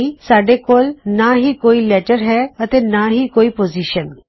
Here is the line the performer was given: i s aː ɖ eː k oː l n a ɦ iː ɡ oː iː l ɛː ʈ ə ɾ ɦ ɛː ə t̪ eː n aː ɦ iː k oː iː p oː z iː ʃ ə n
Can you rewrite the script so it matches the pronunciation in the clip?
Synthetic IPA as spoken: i s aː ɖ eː k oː l n a ɦ iː k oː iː l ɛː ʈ ə ɾ ɦ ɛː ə t̪ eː n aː ɦ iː k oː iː p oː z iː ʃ ə n